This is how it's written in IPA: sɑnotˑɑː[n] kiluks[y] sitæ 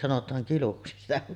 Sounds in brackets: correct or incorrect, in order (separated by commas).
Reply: incorrect, incorrect